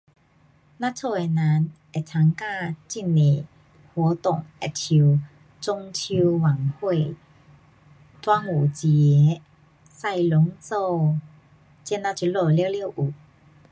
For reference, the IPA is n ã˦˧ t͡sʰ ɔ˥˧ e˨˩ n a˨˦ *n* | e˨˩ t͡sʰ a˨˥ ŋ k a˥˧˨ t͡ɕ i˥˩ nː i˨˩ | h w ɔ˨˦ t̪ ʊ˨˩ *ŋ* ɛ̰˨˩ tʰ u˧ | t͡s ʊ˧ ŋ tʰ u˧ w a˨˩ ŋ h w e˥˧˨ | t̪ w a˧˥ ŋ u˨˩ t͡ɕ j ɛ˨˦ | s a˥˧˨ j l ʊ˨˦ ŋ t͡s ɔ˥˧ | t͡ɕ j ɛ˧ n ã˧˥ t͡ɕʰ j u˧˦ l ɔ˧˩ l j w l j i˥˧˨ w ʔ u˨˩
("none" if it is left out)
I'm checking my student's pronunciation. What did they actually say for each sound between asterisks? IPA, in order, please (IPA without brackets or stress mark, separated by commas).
n, ŋ